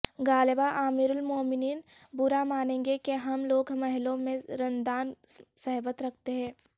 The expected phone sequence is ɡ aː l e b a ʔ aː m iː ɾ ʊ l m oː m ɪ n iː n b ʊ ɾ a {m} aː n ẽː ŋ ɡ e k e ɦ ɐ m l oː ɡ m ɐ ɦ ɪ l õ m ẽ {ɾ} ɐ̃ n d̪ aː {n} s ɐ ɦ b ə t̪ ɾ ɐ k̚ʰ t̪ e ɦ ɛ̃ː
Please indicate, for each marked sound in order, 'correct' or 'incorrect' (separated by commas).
correct, correct, correct